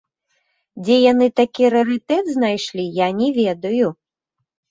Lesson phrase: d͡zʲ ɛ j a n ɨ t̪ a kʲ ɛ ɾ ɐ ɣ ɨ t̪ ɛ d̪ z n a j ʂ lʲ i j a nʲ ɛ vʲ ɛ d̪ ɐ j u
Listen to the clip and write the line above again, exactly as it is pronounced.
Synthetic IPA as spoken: d͡zʲ ɛ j a n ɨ t̪ a kʲ i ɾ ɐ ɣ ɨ t̪ ɛ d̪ z n a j ʂ lʲ i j a nʲ ɛ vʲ ɛ d̪ ɐ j u